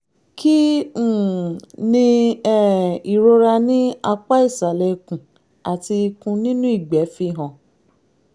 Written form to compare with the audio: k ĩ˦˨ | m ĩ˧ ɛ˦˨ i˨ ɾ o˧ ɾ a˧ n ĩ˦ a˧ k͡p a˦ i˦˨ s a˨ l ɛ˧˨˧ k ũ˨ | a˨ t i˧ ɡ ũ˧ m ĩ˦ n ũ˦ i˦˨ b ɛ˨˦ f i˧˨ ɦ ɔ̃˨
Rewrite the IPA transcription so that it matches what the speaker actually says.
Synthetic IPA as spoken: k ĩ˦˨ | n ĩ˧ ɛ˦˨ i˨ ɾ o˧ ɾ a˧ n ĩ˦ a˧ k͡p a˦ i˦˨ s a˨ l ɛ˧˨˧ k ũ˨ | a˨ t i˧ k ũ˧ n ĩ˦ n ũ˦ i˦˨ ɡ͡b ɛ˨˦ f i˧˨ ɦ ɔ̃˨